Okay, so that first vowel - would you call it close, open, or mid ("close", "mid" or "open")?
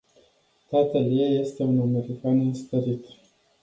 open